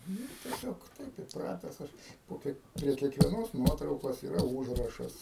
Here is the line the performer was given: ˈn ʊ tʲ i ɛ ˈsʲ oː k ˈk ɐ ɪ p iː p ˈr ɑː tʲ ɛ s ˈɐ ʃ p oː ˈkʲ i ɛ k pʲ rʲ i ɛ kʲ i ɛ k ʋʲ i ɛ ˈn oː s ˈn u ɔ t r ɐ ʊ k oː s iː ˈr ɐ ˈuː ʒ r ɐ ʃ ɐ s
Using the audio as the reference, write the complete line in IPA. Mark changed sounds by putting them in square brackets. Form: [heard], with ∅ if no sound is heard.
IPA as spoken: ˈn ʊ tʲ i ɛ ˈsʲ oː k [ˈt] ɐ ɪ p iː p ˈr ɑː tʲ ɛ s ˈɐ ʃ p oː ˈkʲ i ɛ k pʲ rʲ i ɛ kʲ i ɛ k ʋʲ i ɛ ˈn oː s ˈn u ɔ t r ɐ ʊ k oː s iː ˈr ɐ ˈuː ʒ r ɐ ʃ ɐ s